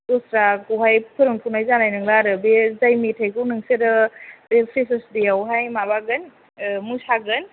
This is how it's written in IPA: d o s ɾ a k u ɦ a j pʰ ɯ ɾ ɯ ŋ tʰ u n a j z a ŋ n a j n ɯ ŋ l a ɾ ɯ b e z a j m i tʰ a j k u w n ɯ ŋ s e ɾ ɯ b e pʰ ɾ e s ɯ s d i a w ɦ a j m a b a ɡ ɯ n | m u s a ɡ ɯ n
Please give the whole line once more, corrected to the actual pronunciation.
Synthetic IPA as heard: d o s ɾ a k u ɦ a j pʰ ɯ ɾ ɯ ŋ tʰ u n a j z a n a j n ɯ ŋ l a ɾ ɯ b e z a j m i tʰ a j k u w n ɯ ŋ s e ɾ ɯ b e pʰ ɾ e s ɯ s d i a w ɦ a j m a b a ɡ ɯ n | m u s a ɡ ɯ n